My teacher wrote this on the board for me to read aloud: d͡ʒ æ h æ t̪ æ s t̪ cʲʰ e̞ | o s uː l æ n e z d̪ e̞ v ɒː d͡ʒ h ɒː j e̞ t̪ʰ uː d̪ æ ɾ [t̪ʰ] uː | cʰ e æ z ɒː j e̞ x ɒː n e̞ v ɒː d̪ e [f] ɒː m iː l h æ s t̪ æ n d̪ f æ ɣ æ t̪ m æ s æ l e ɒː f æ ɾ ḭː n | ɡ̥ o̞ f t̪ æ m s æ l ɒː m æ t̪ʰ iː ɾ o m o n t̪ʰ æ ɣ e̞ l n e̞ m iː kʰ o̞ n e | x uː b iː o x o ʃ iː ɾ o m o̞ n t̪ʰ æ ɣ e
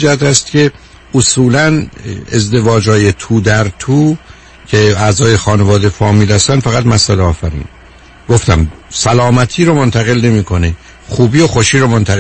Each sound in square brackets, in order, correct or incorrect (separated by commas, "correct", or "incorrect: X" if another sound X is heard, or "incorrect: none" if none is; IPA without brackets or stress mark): correct, correct